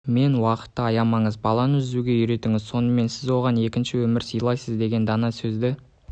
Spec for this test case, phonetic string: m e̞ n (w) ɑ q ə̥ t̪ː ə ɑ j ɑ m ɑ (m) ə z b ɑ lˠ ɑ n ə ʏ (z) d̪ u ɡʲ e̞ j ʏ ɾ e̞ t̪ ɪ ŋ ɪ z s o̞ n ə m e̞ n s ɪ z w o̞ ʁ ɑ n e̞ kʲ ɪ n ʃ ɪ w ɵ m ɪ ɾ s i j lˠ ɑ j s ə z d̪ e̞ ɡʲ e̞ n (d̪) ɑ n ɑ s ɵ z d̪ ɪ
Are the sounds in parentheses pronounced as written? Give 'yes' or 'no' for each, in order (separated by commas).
yes, no, yes, yes